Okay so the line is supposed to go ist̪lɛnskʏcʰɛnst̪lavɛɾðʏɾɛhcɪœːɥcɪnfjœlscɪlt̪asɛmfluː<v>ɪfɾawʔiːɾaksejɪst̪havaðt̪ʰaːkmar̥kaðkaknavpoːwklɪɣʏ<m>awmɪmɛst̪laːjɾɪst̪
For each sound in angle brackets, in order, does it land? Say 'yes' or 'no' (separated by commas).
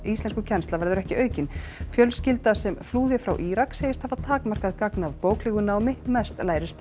no, no